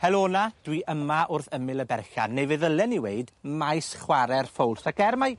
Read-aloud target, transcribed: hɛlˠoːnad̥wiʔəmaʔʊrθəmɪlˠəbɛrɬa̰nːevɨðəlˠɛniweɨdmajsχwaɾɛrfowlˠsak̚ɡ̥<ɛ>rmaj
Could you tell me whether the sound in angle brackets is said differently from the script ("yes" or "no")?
no